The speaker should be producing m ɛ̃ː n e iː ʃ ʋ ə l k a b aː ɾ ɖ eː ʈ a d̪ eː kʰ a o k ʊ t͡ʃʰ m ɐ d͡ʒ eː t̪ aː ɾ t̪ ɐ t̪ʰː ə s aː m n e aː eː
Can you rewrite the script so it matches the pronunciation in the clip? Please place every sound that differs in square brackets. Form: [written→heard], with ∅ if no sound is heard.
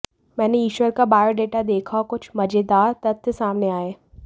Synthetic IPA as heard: m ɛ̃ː n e iː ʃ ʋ ə [l→ɾ] k a b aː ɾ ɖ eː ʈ a d̪ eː kʰ a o k ʊ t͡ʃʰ m ɐ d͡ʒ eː [t̪→d̪] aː ɾ t̪ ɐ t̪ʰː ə s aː m n e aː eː